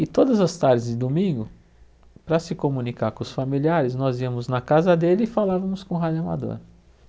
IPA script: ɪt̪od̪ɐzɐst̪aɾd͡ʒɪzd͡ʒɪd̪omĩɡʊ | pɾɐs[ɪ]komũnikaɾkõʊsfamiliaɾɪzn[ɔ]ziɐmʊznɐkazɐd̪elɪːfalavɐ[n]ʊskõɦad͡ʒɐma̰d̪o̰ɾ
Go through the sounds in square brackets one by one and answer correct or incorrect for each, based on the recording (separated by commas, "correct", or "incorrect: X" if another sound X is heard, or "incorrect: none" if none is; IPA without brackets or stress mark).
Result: correct, correct, incorrect: m